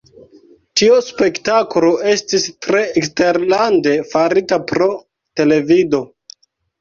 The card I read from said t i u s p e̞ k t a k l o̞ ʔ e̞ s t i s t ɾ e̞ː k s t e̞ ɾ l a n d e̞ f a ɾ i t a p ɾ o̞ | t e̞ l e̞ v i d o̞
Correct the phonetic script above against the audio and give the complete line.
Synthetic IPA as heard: t i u s p e̞ k t a k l o̞ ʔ e̞ s t i s t ɾ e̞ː k s t e̞ ɾ l a n d e̞ f a ɾ i t a p ɾ o̞ | t e̞ l e̞ v i d o̞